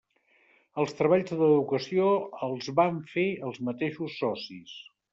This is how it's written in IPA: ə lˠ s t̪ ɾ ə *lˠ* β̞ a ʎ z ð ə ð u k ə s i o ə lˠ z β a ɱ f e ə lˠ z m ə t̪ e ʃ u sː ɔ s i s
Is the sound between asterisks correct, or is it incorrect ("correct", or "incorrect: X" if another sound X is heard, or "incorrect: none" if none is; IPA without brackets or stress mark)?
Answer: incorrect: none